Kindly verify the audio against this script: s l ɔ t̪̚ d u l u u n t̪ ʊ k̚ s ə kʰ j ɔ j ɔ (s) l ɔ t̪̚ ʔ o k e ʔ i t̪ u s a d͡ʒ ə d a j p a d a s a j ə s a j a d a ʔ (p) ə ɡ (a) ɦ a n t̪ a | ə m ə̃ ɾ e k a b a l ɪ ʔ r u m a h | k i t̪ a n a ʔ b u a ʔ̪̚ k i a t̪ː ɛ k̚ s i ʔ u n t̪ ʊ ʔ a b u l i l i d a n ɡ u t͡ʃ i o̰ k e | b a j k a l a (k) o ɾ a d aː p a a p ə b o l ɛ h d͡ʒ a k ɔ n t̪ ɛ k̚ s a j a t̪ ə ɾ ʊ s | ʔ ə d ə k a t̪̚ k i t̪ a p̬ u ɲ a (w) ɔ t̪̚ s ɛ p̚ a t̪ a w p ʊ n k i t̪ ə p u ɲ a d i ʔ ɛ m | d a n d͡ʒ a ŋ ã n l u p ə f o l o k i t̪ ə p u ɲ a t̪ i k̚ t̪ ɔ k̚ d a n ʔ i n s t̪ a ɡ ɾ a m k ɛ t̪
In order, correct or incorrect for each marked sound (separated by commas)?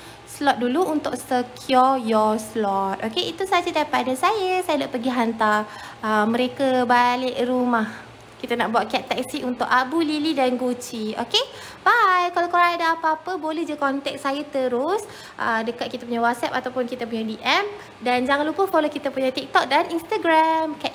correct, correct, incorrect, correct, correct